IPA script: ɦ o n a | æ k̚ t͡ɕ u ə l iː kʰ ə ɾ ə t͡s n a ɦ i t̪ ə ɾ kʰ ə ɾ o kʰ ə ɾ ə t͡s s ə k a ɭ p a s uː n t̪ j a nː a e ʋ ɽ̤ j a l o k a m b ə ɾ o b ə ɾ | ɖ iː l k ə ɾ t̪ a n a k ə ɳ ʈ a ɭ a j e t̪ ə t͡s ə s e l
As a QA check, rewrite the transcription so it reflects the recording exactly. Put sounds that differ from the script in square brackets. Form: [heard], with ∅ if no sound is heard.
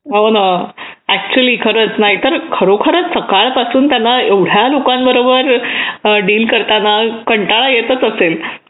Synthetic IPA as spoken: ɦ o n a | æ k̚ t͡ɕ u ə l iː kʰ ə ɾ ə t͡s n a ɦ i t̪ ə ɾ kʰ ə ɾ o kʰ ə ɾ ə t͡s s ə k a ɭ p a s uː n t̪ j a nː a e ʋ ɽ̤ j a l o k a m b ə ɾ o b ə ɾ | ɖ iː l k ə ɾ t̪ a n a k ə ɳ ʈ a ɭ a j e t̪ ə t͡s ə s e l